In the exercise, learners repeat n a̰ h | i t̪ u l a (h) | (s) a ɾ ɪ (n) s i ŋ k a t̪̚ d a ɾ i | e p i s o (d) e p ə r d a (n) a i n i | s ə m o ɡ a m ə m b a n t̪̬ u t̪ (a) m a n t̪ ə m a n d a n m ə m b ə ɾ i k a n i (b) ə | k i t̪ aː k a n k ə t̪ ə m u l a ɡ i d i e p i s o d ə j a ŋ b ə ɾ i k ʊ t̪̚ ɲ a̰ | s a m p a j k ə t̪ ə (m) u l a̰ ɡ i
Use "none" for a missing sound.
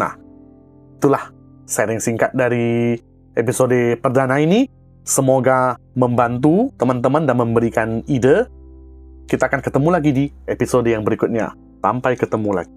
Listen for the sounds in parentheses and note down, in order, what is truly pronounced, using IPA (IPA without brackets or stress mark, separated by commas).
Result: h, s, ŋ, d, n, ə, d, m